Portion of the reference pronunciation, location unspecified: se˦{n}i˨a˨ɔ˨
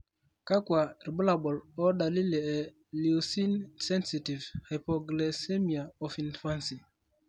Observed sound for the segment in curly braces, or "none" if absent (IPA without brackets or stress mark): m